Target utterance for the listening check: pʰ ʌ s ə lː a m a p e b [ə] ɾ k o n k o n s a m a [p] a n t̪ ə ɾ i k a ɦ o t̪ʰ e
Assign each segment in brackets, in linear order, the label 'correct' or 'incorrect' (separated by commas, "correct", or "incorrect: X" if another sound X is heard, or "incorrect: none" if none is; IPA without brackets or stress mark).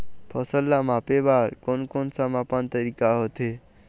incorrect: a, correct